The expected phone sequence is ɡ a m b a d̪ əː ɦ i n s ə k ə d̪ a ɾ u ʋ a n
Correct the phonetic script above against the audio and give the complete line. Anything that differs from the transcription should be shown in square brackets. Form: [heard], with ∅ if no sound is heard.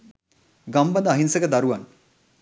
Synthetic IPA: ɡ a m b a d̪ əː ɦ i n s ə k ə d̪ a ɾ u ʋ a n